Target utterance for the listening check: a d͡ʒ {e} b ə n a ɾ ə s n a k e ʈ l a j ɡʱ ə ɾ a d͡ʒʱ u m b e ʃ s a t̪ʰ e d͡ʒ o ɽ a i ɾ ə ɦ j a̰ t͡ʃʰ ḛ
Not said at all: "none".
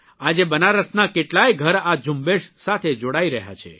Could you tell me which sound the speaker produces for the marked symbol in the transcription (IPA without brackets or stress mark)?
e